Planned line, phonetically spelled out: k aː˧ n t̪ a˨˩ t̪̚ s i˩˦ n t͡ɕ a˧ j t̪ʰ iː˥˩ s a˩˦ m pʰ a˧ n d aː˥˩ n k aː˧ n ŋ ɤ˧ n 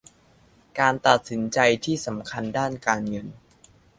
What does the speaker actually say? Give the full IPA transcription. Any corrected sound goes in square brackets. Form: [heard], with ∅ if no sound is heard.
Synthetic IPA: k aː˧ n t̪ a˨˩ t̪̚ s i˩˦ n t͡ɕ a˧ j t̪ʰ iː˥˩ s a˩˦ m [kʰ] a˧ n d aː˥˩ n k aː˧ n ŋ ɤ˧ n